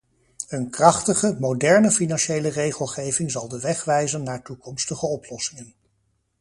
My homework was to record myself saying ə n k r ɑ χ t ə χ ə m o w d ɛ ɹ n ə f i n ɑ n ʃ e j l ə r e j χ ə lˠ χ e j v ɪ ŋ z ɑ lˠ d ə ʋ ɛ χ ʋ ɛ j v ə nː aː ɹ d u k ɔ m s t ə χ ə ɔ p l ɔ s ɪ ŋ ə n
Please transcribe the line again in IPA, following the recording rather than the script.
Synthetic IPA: ə n k r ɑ χ t ə χ ə m o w d ɛ ɹ n ə f i n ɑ n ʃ e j l ə r e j χ ə lˠ χ e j v ɪ ŋ z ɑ lˠ d ə ʋ ɛ χ ʋ ɛ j z ə nː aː ɹ t u k ɔ m s t ə χ ə ɔ p l ɔ s ɪ ŋ ə n